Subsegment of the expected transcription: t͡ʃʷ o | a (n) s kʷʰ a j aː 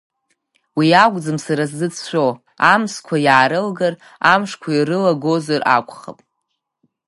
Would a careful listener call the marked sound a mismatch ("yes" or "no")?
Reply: yes